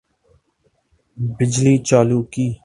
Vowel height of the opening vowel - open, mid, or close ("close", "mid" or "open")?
close